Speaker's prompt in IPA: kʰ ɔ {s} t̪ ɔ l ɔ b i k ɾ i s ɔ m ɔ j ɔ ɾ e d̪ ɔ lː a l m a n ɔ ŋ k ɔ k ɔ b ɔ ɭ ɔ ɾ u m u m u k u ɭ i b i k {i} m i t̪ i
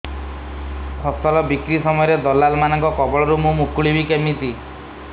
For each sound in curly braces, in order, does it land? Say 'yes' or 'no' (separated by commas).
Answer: yes, no